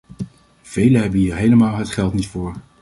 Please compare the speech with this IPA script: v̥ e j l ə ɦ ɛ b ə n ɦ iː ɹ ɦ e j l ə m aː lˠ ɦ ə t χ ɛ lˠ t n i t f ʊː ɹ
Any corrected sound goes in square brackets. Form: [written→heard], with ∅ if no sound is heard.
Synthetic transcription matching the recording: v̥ e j l ə ɦ ɛ b ə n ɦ iː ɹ ɦ e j l ə m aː lˠ ɦ ə t χ ɛ lˠ t n i t f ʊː ɹ